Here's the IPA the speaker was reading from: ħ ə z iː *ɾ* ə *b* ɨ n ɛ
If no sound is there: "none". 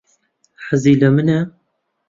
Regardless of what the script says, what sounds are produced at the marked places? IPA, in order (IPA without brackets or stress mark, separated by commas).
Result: l, m